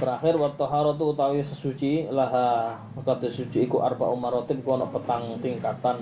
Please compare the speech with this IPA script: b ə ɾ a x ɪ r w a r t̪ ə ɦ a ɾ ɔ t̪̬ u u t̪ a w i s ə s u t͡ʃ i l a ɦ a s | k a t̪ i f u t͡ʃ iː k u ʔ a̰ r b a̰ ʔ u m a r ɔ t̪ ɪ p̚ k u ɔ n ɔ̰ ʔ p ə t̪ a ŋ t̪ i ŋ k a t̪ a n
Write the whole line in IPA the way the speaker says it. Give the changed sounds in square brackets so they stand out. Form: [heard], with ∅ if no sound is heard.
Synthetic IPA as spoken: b ə ɾ a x ɪ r w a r t̪ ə ɦ a ɾ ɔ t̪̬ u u t̪ a w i s ə s u t͡ʃ i l a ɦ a [∅] | k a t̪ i [s] u t͡ʃ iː k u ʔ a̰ r b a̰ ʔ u m a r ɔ t̪ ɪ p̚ k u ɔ n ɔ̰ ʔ p ə t̪ a ŋ t̪ i ŋ k a t̪ a n